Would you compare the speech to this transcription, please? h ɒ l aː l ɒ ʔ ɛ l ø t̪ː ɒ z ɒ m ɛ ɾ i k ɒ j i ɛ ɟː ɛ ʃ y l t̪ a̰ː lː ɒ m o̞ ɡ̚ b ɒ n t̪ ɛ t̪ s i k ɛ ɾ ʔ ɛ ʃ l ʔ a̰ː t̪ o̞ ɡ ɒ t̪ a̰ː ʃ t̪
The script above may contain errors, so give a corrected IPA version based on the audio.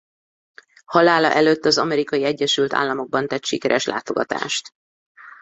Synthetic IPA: h ɒ l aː l ɒ ʔ ɛ l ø t̪ː ɒ z ɒ m ɛ ɾ i k ɒ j i ɛ ɟː ɛ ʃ y l t̪ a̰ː lː ɒ m o̞ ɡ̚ b ɒ n t̪ ɛ t̪ ʃ i k ɛ ɾ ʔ ɛ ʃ l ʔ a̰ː t̪ o̞ ɡ ɒ t̪ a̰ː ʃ t̪

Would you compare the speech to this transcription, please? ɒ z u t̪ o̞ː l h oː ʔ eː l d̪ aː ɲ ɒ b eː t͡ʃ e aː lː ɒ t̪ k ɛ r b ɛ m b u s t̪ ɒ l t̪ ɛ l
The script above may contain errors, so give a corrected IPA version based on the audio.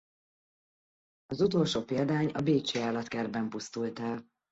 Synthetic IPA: ɒ z u t̪ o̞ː l ʃ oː p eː l d̪ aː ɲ ɒ b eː t͡ʃ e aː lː ɒ t̪ k ɛ r b ɛ m p u s t̪ u l t̪ ɛ l

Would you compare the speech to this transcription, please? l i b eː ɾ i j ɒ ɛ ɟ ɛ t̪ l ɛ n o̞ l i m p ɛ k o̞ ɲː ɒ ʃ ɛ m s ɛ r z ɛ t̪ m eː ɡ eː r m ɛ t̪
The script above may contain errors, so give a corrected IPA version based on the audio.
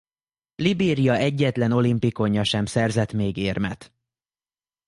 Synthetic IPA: l i b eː ɾ i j ɒ ɛ ɟː ɛ t̪ l ɛ n o̞ l i m p i k o̞ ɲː ɒ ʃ ɛ m s ɛ r z ɛ t̪ m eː ɡ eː r m ɛ t̪

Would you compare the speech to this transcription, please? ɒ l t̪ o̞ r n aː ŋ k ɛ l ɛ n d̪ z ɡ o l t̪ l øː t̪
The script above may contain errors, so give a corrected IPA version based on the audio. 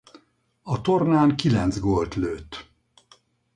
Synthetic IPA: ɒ t̪ o̞ r n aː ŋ k i l ɛ n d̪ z ɡ o l t̪ l øː t̪

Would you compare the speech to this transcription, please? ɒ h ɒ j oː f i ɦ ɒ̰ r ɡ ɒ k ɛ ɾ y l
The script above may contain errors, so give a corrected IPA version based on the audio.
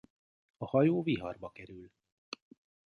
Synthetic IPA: ɒ h ɒ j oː v i ɦ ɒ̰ r b ɒ k ɛ ɾ y l

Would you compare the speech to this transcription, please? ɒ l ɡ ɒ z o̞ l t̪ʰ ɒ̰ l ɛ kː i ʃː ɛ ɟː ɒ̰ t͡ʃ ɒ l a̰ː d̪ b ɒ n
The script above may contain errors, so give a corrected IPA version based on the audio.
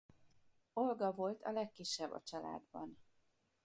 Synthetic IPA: o l ɡ ɒ v o̞ l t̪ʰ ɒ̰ l ɛ kː i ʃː ɛ bː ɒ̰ t͡ʃ ɒ l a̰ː d̪ b ɒ n

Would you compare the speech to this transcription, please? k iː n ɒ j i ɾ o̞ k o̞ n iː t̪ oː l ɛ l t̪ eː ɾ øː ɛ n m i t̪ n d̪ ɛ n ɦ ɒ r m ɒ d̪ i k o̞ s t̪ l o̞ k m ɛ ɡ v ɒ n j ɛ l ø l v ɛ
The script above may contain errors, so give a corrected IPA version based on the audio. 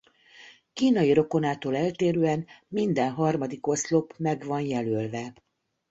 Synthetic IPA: k iː n ɒ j i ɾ o̞ k o̞ n aː t̪ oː l ɛ l t̪ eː ɾ øː ɛ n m i n d̪ ɛ n ɦ ɒ r m ɒ d̪ i k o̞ s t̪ l o̞ p m ɛ ɡ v ɒ n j ɛ l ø l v ɛ

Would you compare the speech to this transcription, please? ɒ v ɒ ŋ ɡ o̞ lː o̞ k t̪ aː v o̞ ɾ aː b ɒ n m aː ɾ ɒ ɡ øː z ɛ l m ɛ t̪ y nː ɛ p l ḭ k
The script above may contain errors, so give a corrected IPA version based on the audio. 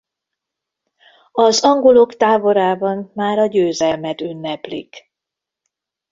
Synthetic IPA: ɒ z ɒ ŋ ɡ o̞ l o̞ k t̪ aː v o̞ ɾ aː b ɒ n m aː ɾ ɒ ɟ øː z ɛ l m ɛ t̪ y nː ɛ p l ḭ k

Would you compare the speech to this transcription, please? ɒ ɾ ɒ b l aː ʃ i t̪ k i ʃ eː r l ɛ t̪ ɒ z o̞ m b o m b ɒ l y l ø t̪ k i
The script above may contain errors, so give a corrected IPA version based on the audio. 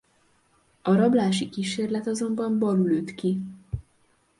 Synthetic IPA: ɒ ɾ ɒ b l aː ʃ i k i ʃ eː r l ɛ t̪ ɒ z o̞ m b ɒ m b ɒ l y l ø t̪ k i

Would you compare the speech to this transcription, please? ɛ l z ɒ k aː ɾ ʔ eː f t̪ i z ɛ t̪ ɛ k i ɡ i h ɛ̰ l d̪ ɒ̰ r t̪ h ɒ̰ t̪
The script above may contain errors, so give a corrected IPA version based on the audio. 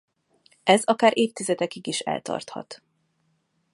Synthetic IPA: ɛ z ɒ k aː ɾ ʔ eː f t̪ i z ɛ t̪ ɛ k i ɡ i ʃ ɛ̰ l t̪ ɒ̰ r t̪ h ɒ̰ t̪

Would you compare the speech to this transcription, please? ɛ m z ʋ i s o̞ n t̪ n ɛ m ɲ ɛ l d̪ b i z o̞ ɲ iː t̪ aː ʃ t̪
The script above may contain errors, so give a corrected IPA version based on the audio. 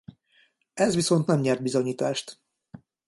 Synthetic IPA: ɛ z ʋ i s o̞ n t̪ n ɛ m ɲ ɛ r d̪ b i z o̞ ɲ iː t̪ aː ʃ t̪

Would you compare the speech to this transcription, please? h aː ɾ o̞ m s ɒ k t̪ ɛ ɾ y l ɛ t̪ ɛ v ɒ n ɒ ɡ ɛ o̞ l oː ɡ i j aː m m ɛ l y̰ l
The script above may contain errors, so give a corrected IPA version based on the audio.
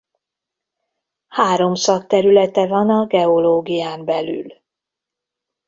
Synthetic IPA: h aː ɾ o̞ m s ɒ k t̪ ɛ ɾ y l ɛ t̪ ɛ v ɒ n ɒ ɡ ɛ o̞ l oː ɡ i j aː m b ɛ l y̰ l

